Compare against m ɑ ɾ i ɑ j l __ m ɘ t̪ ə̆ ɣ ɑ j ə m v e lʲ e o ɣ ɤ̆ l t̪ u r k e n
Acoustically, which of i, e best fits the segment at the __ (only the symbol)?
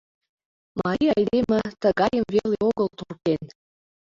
e